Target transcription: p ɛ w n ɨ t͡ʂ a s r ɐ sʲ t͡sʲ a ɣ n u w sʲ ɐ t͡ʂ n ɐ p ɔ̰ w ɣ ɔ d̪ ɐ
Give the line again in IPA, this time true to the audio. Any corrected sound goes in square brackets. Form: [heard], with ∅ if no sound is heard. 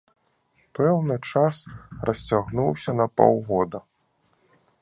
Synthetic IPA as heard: p ɛ w n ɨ t͡ʂ a s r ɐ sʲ t͡sʲ a ɣ n u w sʲ ɐ [∅] n ɐ p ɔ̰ w ɣ ɔ d̪ ɐ